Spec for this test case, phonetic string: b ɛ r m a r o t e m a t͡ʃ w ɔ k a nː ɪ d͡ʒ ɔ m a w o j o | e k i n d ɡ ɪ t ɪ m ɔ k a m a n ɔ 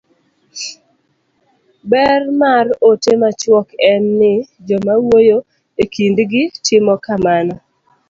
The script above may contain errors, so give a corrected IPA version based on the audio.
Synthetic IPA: b ɛ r m a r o t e m a t͡ʃ w ɔ k ɛ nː ɪ d͡ʒ ɔ m a w o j o | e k i n d ɡ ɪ t ɪ m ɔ k a m a n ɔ

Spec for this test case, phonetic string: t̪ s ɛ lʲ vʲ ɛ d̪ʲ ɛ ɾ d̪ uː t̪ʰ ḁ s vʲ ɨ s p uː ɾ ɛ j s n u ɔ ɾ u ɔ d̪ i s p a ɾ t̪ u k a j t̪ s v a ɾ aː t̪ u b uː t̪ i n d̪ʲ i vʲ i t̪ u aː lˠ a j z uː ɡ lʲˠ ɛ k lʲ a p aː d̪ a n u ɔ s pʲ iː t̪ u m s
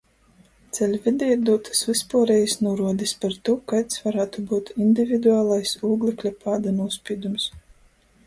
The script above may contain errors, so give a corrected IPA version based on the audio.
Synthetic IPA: t̪ s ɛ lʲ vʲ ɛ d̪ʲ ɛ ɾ d̪ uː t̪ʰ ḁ s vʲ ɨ s p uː ɾ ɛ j s n u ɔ ɾ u ɔ d̪ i s p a ɾ t̪ u k a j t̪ s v a ɾ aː t̪ u b uː t̪ i n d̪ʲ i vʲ i d̪ u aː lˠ a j s uː ɡ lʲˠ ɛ k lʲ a p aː d̪ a n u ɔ s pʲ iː d̪ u m s

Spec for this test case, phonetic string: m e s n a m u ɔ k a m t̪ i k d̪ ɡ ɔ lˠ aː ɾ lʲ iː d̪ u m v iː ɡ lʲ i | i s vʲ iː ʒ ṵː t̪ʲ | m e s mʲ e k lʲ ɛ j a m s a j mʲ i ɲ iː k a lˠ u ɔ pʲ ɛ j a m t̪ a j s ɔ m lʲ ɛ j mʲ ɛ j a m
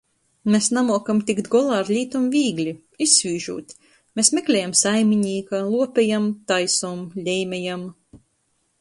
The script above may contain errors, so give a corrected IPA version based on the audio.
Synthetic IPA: m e s n a m u ɔ k a m t̪ i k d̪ ɡ ɔ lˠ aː ɾ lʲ iː t̪ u m v iː ɡ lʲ i | i s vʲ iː ʒ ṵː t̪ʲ | m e s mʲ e k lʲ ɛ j a m s a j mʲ i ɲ iː k a lˠ u ɔ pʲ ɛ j a m t̪ a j s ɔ m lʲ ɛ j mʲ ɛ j a m

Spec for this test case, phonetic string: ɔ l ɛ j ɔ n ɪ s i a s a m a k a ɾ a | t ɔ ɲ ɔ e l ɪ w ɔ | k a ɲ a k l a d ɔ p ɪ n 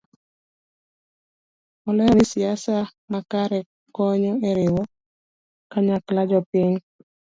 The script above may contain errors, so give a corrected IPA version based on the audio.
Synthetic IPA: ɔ l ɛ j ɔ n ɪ s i a s a m a k a ɾ ɛ | k ɔ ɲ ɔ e ɾ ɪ w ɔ | k a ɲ a k l a d͡ʒ ɔ p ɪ ɲ

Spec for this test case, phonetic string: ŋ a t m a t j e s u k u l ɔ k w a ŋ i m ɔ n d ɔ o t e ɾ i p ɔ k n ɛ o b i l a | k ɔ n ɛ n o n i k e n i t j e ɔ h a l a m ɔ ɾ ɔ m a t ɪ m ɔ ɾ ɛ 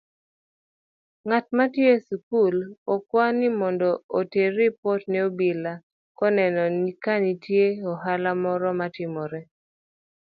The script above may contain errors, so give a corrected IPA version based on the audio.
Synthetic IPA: ŋ a t m a t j e s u k u l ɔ k w a n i m ɔ n d ɔ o t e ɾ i p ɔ t n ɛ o b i l a | k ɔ n ɛ n ɔ n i k a n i t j e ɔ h a l a m ɔ ɾ ɔ m a t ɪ m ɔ ɾ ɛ

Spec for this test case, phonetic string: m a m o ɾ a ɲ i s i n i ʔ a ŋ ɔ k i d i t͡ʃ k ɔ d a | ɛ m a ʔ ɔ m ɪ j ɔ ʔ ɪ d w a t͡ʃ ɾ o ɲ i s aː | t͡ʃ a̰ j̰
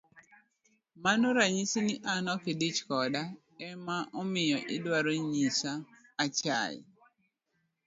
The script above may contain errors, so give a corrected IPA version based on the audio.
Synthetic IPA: m a n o ɾ a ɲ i s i n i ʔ a n ɔ k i d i t͡ʃ k ɔ d a | ɛ m a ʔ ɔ m ɪ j ɔ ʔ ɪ d w a ɾ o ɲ i s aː | t͡ʃ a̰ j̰

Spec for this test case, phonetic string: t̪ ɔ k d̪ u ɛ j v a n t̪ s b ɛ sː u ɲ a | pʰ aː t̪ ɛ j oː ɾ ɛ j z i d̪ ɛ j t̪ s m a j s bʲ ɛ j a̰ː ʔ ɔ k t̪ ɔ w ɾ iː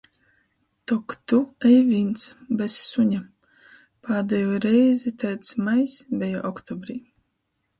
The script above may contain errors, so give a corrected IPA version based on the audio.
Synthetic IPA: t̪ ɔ k t̪ u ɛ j v i n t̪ s b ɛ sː u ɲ a | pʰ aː d̪ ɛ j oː ɾ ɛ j z i t̪ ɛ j t̪ s m a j s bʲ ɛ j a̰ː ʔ ɔ k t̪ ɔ b ɾ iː

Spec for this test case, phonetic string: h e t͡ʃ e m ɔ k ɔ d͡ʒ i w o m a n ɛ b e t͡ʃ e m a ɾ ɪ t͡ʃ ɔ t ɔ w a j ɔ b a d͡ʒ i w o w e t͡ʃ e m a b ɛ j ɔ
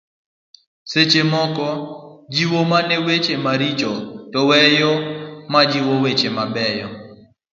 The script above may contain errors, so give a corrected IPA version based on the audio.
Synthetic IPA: s e t͡ʃ e m ɔ k ɔ d͡ʒ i w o m a n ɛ w e t͡ʃ e m a ɾ i t͡ʃ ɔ t ɔ w ɛ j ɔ m a d͡ʒ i w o w e t͡ʃ e m a b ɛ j ɔ

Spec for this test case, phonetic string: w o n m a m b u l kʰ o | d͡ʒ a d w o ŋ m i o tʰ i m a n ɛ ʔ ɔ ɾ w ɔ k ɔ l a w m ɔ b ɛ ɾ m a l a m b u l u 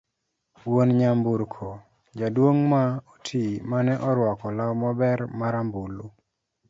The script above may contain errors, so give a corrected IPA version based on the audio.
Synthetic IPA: w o n ɲ a m b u ɾ kʰ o | d͡ʒ a d w o ŋ m a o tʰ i m a n ɛ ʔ ɔ ɾ w ɔ k ɔ l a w m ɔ b ɛ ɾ m a ɾ a m b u l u

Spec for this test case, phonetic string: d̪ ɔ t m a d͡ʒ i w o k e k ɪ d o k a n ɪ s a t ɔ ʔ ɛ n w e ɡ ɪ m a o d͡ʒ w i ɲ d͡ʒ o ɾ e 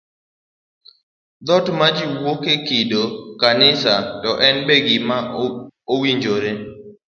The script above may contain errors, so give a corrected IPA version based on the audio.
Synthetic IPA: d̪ ɔ t m a d͡ʒ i w o k e k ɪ d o k a n ɪ s a t ɔ ʔ ɛ n b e ɡ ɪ m a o w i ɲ d͡ʒ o ɾ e

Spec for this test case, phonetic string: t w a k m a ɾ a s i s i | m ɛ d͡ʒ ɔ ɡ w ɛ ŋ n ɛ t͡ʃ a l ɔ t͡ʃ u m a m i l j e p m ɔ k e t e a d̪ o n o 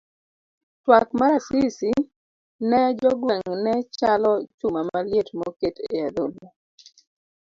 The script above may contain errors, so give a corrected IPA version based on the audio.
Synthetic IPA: t w a k m a ɾ a s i s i | n ɛ d͡ʒ ɔ ɡ w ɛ ŋ n ɛ t͡ʃ a l ɔ t͡ʃ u m a m a l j e t m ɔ k e t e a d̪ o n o

